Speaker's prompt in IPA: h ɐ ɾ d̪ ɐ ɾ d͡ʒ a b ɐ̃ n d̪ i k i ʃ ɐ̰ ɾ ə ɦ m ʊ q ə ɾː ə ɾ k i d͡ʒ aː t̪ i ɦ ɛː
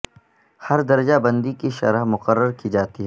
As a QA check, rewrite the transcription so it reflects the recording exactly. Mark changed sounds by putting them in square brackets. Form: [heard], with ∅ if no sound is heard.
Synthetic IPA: h ɐ ɾ d̪ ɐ ɾ d͡ʒ a b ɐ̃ n d̪ i k i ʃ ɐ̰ ɾ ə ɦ m ʊ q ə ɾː ə ɾ k i d͡ʒ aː t̪ i ɦ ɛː